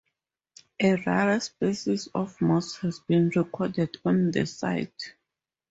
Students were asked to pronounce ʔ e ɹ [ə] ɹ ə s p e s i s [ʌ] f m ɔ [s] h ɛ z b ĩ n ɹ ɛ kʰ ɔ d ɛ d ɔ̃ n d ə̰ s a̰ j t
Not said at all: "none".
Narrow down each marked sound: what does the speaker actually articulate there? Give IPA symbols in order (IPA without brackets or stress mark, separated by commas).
a, ɔ, s